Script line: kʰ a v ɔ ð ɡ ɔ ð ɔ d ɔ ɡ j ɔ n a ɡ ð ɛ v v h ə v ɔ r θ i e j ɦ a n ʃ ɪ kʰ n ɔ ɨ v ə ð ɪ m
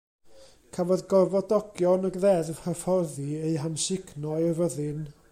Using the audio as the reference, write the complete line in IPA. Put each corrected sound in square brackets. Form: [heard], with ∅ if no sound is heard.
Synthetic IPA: kʰ a v ɔ ð ɡ ɔ [v] ɔ d ɔ ɡ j ɔ n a ɡ ð ɛ [ð] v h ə [f] ɔ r [ð] i e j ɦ a n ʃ ɪ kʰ n ɔ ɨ v ə ð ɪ [n]